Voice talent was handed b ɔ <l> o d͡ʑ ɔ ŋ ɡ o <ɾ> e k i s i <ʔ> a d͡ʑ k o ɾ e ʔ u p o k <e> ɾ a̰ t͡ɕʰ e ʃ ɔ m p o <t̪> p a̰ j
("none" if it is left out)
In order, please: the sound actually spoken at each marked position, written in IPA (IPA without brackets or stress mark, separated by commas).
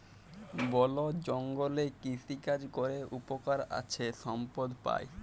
l, l, k, a, d̪